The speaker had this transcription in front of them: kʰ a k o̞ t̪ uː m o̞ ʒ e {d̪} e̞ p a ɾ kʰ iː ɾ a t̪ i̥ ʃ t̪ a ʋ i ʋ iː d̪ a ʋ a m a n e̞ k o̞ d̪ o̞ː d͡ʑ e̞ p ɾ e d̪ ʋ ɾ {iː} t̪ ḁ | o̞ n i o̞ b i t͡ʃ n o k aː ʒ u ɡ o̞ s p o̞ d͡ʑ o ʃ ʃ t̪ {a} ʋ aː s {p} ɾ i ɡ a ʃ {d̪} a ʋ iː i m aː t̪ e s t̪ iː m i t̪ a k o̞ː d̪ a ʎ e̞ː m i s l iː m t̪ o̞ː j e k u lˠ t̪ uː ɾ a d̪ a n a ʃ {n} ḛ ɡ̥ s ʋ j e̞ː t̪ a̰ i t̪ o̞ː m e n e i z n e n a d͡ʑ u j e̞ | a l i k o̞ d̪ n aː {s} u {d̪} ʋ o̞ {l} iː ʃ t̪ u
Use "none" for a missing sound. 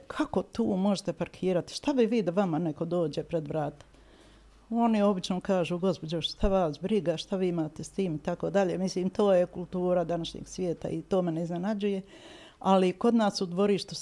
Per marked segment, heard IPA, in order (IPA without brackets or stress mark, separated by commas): t̪, aː, a, b, t̪, ɲ, s, d̪, ɾ